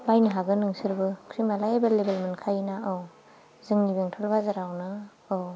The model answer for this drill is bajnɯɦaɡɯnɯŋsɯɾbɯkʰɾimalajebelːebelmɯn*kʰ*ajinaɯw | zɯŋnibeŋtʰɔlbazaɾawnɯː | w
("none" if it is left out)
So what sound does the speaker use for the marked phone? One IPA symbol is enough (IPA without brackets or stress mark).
kʰ